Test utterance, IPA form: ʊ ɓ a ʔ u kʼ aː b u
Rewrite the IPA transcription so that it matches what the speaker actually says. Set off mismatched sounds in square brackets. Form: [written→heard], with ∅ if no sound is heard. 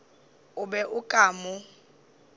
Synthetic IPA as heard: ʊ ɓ [a→ɛ] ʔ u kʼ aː [b→m] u